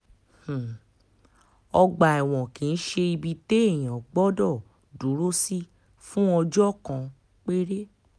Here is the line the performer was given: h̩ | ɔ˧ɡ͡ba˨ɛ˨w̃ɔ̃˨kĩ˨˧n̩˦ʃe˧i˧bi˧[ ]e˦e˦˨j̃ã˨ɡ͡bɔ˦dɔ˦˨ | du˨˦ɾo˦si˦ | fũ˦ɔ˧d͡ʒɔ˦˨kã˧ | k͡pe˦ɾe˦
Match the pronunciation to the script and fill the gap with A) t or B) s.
A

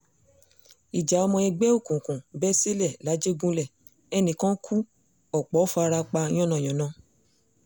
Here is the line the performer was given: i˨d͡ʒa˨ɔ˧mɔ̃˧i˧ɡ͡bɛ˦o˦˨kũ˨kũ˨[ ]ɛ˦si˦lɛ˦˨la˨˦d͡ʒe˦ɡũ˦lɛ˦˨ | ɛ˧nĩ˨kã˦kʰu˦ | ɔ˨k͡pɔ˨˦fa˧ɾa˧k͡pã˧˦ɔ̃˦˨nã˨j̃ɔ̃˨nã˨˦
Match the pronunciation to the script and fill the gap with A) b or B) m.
A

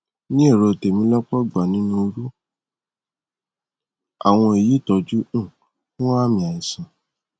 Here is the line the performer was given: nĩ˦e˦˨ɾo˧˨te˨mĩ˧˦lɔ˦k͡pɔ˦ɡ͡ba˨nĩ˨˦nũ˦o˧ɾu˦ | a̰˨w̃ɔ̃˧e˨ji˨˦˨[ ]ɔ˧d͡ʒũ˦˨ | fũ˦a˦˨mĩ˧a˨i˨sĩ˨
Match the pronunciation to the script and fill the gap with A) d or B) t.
B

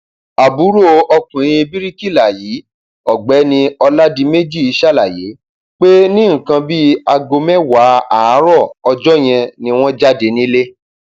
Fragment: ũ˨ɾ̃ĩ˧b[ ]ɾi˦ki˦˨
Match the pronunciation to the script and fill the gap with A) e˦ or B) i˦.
B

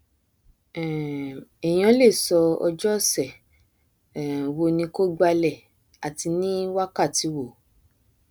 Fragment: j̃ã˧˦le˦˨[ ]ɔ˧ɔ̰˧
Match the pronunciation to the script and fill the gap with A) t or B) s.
B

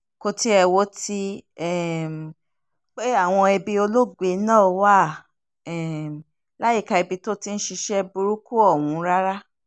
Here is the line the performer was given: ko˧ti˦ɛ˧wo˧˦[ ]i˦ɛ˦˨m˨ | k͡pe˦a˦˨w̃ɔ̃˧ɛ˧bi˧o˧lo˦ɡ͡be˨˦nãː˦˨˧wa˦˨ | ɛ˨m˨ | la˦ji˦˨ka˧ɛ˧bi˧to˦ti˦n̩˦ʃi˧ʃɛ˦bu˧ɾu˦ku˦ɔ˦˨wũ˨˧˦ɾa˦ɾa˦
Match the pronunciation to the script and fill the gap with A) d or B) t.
B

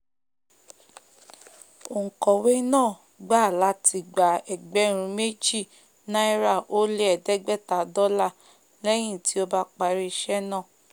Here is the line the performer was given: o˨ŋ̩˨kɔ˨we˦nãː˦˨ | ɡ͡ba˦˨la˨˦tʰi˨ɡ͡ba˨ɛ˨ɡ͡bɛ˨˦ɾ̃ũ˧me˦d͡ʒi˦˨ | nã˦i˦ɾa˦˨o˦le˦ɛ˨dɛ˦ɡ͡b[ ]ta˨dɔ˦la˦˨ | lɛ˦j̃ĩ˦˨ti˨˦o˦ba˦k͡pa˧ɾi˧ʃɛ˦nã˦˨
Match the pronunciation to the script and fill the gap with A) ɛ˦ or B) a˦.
A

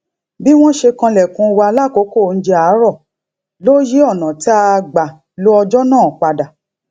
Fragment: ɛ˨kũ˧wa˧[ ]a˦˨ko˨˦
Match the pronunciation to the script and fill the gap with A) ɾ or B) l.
B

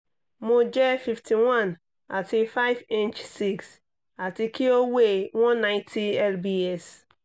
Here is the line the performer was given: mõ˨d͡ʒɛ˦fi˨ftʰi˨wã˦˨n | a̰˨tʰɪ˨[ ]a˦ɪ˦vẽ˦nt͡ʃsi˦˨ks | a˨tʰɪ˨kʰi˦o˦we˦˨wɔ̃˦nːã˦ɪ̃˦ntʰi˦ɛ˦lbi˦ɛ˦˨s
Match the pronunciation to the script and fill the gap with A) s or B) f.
B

